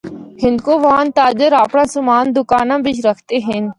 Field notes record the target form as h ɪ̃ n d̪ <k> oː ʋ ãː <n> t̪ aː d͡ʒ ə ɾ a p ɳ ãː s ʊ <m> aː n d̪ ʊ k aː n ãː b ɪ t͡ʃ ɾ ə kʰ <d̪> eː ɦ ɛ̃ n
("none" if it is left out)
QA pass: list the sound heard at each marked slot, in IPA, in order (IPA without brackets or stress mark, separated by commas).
k, n, m, t̪